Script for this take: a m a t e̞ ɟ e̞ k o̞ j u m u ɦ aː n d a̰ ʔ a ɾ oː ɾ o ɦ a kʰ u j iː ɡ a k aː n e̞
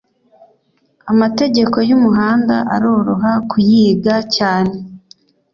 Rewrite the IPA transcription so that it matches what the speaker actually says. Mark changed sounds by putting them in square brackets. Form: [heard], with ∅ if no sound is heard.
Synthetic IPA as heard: a m a t e̞ ɟ e̞ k o̞ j u m u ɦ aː n d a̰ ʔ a ɾ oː ɾ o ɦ a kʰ u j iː ɡ a [c] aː n e̞